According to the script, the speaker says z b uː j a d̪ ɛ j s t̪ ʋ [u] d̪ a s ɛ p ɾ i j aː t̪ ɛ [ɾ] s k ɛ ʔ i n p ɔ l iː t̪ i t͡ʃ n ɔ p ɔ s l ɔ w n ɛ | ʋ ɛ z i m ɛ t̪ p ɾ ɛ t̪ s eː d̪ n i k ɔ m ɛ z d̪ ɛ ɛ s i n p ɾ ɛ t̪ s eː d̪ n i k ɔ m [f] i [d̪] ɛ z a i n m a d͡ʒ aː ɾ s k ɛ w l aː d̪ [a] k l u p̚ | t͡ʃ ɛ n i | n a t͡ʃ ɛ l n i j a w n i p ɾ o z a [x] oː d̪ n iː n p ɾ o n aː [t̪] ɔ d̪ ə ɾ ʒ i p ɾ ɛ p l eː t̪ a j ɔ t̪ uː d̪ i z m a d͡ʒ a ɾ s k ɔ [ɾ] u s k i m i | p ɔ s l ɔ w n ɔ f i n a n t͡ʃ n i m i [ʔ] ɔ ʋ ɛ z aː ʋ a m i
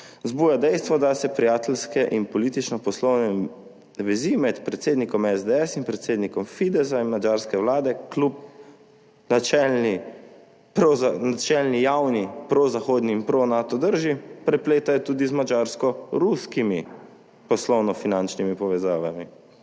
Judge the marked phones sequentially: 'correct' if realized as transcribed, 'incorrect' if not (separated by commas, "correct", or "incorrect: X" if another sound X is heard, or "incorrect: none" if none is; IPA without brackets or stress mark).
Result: incorrect: ɔ, incorrect: l, correct, correct, incorrect: ɛ, correct, correct, correct, incorrect: p